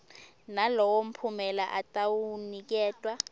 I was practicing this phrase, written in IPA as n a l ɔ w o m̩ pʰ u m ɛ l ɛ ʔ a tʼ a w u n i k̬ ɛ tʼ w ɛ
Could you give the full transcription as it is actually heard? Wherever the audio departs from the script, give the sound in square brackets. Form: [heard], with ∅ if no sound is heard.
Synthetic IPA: n a l ɔ w o m̩ pʰ u m ɛ l [a] ʔ a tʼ a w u n i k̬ [ɛː] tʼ w [a]

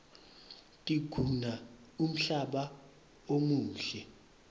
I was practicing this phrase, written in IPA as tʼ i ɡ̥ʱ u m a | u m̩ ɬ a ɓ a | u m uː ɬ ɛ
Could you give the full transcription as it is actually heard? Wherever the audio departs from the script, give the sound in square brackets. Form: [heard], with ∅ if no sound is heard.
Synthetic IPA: tʼ i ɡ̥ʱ u [n] a | u m̩ ɬ a ɓ a | [o] m uː ɬ ɛ

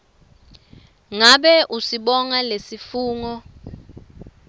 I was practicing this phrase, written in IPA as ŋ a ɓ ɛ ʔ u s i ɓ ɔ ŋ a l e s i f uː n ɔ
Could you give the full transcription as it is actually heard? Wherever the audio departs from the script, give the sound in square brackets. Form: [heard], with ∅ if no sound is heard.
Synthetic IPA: ŋ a ɓ ɛ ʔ u s i ɓ ɔ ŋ a l e s i f uː [ŋ] ɔ

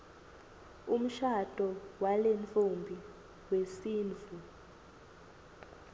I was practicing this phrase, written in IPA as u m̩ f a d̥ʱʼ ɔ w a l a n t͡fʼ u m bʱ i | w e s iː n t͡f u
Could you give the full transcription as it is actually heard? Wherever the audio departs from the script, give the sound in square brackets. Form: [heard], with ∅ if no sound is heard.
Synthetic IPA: u m̩ [ʃ] a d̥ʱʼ ɔ w a l [e] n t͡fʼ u m bʱ i | w e s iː n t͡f u

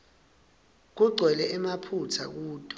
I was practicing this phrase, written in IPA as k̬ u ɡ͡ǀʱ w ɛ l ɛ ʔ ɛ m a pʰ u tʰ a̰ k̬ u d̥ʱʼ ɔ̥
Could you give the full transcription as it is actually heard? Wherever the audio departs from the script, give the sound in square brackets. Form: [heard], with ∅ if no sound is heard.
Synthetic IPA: k̬ u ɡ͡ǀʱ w ɛ l ɛ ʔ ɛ m a pʰ u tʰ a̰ k̬ [uː] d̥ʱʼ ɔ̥

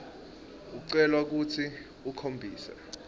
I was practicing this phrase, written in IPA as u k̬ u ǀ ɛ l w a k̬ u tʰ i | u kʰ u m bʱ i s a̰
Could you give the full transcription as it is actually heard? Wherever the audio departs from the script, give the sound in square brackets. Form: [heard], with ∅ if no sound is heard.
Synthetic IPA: u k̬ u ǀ ɛ l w a k̬ u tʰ i | u kʰ [o] m bʱ [iː] s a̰

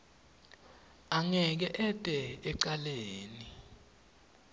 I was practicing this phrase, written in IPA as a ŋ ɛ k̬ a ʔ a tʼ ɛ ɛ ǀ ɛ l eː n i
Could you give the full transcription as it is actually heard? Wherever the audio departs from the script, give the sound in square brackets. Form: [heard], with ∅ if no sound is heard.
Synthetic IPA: a ŋ ɛ k̬ [ɛ] ʔ [ɛ] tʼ ɛ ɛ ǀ [a] l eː n i

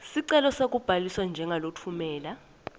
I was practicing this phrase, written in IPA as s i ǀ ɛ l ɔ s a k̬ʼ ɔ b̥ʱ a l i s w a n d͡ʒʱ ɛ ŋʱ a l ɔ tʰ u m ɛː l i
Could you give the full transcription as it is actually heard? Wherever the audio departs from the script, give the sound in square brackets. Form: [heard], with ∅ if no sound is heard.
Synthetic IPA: s i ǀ ɛ l ɔ s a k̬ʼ [u] b̥ʱ a l i s w a n d͡ʒʱ ɛ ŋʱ a l [o] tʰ u m ɛː l [a]

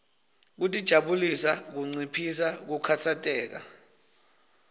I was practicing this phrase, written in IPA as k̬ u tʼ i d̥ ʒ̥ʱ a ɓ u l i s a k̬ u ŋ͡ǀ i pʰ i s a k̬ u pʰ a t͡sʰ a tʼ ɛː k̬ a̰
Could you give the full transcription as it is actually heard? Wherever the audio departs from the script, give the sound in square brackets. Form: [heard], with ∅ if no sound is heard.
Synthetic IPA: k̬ u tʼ i d̥ ʒ̥ʱ a ɓ u l i s a k̬ u ŋ͡ǀ i pʰ i s a k̬ u [kʰ] a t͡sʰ a tʼ ɛː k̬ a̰

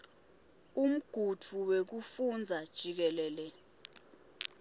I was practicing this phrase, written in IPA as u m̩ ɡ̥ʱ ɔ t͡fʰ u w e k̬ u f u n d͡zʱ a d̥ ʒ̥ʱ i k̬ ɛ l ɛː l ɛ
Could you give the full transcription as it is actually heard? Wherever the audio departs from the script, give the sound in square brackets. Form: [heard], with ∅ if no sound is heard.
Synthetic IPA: u m̩ ɡ̥ʱ [u] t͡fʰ u w e k̬ u f u n d͡zʱ a d̥ ʒ̥ʱ i k̬ ɛ l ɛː l ɛ

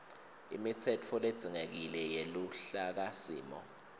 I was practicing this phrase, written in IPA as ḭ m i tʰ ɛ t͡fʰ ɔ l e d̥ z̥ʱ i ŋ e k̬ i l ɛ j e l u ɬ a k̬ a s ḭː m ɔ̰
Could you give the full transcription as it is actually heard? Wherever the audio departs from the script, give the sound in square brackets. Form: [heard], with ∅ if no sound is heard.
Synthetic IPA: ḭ m i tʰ ɛ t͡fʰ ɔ l e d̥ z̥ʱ i ŋ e k̬ i l ɛ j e l u ɬ a k̬ a s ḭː m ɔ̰

